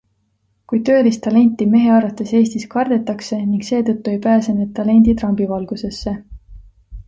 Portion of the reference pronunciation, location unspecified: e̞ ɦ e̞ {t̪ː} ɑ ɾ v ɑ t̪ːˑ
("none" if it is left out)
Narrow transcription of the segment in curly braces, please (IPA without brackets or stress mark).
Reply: none